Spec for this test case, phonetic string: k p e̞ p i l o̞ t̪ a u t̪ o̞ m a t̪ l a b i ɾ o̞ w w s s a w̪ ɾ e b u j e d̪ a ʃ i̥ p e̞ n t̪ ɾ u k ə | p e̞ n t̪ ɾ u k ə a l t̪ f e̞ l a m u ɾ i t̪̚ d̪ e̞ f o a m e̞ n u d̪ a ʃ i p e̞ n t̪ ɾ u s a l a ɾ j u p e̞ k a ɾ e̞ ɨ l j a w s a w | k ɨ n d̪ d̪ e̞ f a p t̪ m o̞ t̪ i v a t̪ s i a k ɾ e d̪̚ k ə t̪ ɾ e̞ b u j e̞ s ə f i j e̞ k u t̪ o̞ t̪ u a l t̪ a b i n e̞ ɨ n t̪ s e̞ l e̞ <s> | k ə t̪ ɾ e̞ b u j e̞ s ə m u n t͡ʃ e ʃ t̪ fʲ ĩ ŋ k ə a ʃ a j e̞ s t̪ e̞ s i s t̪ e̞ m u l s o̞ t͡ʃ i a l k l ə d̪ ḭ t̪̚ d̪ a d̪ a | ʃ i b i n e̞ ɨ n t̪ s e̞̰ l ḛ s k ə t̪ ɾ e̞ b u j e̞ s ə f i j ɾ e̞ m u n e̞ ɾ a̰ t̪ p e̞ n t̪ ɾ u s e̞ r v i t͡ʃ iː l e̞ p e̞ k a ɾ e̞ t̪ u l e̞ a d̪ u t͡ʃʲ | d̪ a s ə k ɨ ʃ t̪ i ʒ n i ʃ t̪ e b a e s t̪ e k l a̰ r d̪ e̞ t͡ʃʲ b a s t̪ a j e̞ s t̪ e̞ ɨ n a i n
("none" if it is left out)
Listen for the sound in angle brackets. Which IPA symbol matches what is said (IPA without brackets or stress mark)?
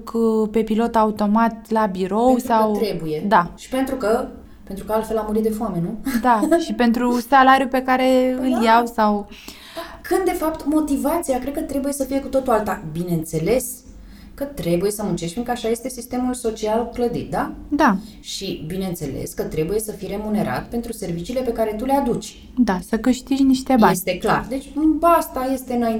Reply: s